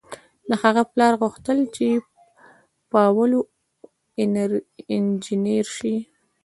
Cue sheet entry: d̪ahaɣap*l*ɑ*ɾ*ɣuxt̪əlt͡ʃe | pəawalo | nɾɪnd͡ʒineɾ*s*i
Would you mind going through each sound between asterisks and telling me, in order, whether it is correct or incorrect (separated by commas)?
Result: correct, correct, incorrect